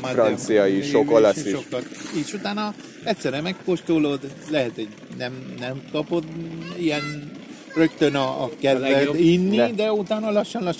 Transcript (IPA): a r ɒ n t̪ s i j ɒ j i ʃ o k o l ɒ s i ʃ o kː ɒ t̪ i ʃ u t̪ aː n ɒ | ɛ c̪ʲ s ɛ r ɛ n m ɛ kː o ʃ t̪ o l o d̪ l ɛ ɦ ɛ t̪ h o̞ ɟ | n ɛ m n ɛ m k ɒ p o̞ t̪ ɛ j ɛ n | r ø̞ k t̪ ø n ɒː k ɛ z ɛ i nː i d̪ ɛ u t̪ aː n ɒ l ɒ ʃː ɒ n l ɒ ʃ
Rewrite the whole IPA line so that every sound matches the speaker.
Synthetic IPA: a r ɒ n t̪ s i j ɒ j i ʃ o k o l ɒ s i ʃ o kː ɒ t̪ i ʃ u t̪ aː n ɒ | ɛ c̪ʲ s ɛ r ɛ m ɛ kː o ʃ t̪ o l o d̪ l ɛ ɦ ɛ t̪ h o̞ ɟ | n ɛ m n ɛ m k ɒ p o̞ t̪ i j ɛ n | r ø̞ k t̪ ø n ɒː k ɛ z ɛ i nː i d̪ ɛ u t̪ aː n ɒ l ɒ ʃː ɒ n l ɒ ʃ